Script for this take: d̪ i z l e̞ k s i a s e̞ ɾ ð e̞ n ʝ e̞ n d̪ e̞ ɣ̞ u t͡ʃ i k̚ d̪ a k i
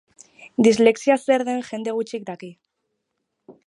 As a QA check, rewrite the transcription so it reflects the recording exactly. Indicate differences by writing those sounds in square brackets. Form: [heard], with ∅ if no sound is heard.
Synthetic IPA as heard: d̪ i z l e̞ k s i a s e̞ ɾ ð e̞ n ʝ e̞ n d̪ e̞ ɣ̞ u t͡ʃ i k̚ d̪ a k i